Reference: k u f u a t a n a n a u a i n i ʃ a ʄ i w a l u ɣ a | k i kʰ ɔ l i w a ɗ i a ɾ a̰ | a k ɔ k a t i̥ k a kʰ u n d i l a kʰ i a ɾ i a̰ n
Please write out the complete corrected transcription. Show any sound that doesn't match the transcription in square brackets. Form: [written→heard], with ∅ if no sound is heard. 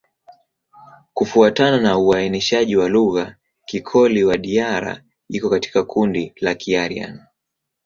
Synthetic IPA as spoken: k u f u a t a n a n a u a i n i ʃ a ʄ i w a l u ɣ a | k i kʰ ɔ l i w a ɗ i a ɾ a̰ | [a→i] k ɔ k a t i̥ k a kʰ u n d i l a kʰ i a ɾ i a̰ n